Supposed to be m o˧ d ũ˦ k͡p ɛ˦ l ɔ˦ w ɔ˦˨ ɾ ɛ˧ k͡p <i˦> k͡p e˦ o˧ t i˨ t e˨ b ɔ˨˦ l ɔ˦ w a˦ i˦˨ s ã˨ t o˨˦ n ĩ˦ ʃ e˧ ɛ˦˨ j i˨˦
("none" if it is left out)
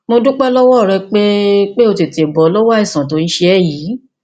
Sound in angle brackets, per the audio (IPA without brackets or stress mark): e˦